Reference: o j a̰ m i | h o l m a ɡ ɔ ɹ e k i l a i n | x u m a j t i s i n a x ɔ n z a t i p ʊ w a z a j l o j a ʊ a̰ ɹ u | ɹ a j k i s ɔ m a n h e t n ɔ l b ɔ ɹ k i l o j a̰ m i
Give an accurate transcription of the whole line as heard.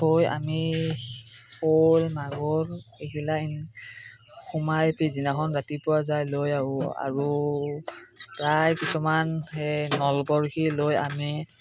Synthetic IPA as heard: o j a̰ m i | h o l m a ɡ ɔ ɹ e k i l a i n | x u m a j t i z i n a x ɔ n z a t i p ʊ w a z a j l o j a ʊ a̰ ɹ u | ɹ a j k i s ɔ m a n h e n ɔ l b ɔ ɹ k i l o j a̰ m i